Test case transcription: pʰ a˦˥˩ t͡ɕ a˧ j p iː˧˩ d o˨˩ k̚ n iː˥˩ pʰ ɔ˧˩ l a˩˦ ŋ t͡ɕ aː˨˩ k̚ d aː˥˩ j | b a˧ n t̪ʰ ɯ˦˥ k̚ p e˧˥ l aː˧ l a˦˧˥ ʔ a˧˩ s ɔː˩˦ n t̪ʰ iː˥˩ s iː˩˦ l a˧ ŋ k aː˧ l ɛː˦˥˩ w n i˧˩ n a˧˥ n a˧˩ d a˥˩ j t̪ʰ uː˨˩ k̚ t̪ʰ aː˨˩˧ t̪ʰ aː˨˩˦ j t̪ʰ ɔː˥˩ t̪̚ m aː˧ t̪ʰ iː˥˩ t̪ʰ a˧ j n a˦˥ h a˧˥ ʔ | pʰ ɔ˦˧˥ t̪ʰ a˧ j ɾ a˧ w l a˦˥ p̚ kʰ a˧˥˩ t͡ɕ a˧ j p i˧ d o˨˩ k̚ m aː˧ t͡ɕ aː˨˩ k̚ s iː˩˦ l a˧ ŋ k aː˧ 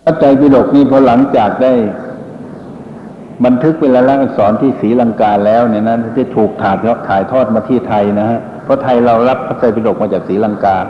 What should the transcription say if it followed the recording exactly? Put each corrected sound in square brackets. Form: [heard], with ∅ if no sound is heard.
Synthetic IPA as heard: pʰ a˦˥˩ t͡ɕ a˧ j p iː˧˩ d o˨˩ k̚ n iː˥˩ pʰ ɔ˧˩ l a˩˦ ŋ t͡ɕ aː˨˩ k̚ d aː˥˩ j | b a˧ n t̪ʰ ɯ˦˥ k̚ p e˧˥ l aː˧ l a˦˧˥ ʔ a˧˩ s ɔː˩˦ n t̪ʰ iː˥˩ s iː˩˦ l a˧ ŋ k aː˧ l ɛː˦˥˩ w n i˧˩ n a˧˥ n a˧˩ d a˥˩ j t̪ʰ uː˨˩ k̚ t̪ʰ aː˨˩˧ t̪ʰ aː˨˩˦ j t̪ʰ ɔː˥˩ t̪̚ m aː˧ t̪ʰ iː˥˩ t̪ʰ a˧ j n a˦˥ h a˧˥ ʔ | pʰ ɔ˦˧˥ t̪ʰ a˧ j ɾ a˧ w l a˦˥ p̚ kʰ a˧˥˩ t͡ɕ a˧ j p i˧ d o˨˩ k̚ m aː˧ t͡ɕ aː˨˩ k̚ s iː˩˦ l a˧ ŋ k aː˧